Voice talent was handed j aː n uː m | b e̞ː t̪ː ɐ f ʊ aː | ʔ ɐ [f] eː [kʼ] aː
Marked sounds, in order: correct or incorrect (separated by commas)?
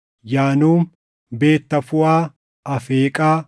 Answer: correct, correct